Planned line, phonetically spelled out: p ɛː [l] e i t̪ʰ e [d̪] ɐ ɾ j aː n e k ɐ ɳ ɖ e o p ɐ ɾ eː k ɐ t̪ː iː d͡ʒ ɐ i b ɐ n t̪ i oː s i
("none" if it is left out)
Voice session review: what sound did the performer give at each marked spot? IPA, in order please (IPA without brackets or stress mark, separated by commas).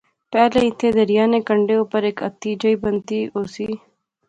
l, d̪